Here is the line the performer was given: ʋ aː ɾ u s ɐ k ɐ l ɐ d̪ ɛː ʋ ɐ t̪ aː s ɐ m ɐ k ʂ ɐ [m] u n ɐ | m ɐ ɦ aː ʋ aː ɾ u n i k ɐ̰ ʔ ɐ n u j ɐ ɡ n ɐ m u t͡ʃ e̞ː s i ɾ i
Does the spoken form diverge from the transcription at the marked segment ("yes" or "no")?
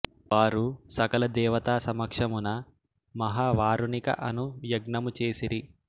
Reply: no